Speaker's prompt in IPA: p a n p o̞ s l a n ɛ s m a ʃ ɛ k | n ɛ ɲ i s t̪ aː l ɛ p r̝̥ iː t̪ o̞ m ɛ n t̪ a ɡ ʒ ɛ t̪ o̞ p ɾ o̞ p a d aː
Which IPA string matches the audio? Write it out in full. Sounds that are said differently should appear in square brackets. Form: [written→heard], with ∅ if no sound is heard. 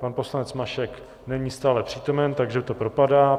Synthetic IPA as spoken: p a n p o̞ s l a n ɛ [s→t͡s] m a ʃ ɛ k | n ɛ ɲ i s t̪ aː l ɛ p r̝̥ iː t̪ o̞ m ɛ n t̪ a ɡ ʒ ɛ t̪ o̞ p ɾ o̞ p a d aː